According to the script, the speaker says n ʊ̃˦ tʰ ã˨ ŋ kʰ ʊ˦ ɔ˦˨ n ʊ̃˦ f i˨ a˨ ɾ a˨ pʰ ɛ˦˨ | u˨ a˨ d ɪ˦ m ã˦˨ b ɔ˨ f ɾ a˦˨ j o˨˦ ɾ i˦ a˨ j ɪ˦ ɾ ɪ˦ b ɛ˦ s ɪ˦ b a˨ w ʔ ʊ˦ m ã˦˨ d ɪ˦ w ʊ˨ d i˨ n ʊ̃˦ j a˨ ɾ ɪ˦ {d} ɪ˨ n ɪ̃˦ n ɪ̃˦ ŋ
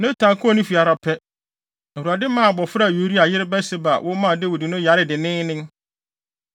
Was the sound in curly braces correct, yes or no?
yes